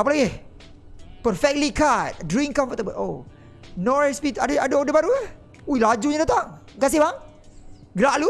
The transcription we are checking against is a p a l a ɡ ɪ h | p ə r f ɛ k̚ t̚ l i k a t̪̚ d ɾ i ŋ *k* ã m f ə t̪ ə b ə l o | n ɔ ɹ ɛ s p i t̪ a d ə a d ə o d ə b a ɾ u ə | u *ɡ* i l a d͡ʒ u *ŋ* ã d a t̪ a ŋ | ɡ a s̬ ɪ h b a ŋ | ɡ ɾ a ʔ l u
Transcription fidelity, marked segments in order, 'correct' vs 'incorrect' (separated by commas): correct, incorrect, incorrect